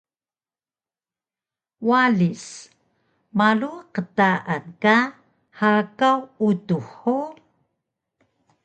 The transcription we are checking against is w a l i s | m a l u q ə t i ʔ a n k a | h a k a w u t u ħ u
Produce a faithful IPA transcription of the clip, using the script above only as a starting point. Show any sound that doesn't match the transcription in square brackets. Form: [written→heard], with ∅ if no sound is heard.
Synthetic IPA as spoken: w a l i s | m a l u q ə t [i→a] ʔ a n k a | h a k a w u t u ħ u